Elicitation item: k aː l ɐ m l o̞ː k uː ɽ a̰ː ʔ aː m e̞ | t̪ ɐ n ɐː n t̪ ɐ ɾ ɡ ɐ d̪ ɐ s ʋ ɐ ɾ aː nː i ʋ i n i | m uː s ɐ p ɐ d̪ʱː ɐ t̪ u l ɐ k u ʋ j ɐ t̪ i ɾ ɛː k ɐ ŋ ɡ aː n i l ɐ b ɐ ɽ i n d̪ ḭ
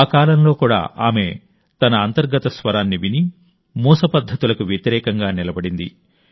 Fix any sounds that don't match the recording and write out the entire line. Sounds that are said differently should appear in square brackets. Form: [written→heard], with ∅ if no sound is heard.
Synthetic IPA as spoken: k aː l ɐ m l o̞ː k uː ɽ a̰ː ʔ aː m e̞ | t̪ ɐ n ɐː n t̪ ɐ ɾ ɡ ɐ [d̪→t̪] ɐ s ʋ ɐ ɾ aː nː i ʋ i n i | m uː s ɐ p ɐ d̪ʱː ɐ t̪ u l ɐ k u ʋ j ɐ t̪ i ɾ ɛː k ɐ ŋ ɡ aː n i l ɐ b ɐ ɽ i n d̪ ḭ